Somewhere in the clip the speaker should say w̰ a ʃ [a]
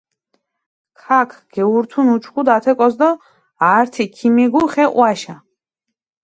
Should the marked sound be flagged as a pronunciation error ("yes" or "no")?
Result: no